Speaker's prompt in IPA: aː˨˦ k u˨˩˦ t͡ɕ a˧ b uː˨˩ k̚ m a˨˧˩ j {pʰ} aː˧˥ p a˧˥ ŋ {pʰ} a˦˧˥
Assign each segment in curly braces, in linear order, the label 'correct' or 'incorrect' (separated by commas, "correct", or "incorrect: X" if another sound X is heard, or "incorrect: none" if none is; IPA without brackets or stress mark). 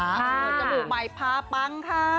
correct, incorrect: kʰ